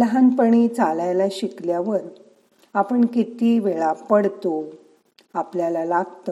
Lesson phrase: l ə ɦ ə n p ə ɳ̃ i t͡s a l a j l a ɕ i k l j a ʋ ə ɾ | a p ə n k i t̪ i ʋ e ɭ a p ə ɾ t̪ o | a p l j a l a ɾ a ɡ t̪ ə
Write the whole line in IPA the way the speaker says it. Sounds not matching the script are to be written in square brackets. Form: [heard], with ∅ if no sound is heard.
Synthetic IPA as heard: l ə ɦ [a] n p ə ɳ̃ i t͡s a l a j l a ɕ i k l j a ʋ ə ɾ | a p ə [ɳ] k i t̪ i ʋ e ɭ a p ə [ɽ] t̪ o | a p l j a l a [l] a ɡ t̪ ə